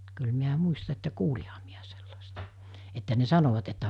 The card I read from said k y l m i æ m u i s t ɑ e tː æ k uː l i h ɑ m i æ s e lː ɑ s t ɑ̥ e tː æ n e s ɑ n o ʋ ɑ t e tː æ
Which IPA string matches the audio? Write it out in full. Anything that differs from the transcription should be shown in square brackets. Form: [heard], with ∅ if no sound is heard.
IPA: k y l m i æ m u i s t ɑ e tː æ k uː l i h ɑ m i æ s e lː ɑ s t ɑ̥ e tː æ n e s ɑ n o ʋ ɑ t e tː æ

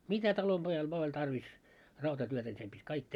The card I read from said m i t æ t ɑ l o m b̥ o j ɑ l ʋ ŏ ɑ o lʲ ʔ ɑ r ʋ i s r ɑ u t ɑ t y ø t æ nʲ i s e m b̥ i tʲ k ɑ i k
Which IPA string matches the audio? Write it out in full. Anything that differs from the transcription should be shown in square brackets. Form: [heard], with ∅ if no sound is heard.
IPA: m i t æ t ɑ l o m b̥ o j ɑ l ʋ ŏ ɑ o lʲ [t] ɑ r ʋ i s r ɑ u t ɑ t y ø t æ nʲ i s e m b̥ i tʲ k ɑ i k

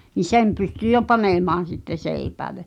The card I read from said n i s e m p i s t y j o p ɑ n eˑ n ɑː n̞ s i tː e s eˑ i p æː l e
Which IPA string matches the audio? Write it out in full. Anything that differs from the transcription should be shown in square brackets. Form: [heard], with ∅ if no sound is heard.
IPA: n i s e m p [y] s t y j o p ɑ n eˑ [m] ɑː n̞ s i tː e s eˑ i p æː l e

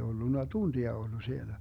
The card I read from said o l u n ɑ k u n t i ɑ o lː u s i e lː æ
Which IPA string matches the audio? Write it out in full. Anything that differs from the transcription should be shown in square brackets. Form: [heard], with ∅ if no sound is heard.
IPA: o [lː] u [nː] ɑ [t] u n t i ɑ o lː u s i e [l] æ

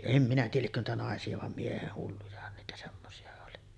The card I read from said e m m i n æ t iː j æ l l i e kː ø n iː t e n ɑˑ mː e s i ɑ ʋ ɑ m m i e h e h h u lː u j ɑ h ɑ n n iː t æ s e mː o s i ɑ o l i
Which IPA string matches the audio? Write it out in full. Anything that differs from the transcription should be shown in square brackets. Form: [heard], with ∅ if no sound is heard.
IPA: e m m i n æ t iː j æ l l i e kː ø n iː t [æ] n ɑˑ [∅] e s i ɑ ʋ ɑ m m i e h e h h u lː u j ɑ h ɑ n n iː t æ s e mː o s i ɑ o l i

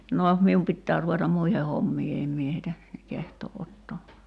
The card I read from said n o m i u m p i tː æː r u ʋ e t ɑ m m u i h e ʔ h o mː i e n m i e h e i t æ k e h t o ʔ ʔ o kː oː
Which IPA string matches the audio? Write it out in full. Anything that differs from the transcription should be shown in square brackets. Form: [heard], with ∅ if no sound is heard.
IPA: n o m i u m p i tː æː r u ʋ e t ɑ m m u i h e [∅] h o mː [iː] e [m] m i e h e i t æ k e h t [oː] ʔ ʔ o [tː] oː

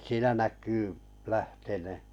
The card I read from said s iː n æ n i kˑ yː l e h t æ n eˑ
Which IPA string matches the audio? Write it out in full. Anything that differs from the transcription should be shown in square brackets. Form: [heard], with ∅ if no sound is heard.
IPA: s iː n æ n [æ] kˑ yː l [æ] h t [e] n eˑ

